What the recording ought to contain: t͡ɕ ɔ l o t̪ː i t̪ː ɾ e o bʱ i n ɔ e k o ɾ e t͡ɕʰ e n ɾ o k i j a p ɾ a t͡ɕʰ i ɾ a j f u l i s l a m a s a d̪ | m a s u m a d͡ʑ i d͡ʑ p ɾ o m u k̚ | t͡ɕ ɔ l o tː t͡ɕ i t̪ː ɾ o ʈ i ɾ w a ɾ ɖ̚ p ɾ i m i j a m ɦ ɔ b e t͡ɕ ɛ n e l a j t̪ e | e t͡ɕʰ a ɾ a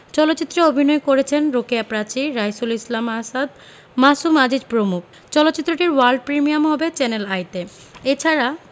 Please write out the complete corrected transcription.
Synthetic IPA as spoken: t͡ɕ ɔ l o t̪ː i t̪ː ɾ e o bʱ i n ɔ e k o ɾ e t͡ɕʰ e n ɾ o k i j a p ɾ a t͡ɕ i ɾ a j s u l i s l a m a s a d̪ | m a s u m a d͡ʑ i d͡ʑ p ɾ o m u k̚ | t͡ɕ ɔ l o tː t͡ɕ i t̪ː ɾ o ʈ i ɾ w a ɾ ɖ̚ p ɾ i m i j a m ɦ ɔ b e t͡ɕ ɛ n e l a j t̪ e | e t͡ɕʰ a ɾ a